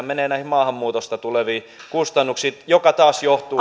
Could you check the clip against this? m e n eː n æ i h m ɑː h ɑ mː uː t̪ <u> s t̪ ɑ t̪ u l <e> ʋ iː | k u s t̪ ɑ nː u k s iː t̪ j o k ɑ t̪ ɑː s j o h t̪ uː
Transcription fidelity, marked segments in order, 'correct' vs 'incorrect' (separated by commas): incorrect, correct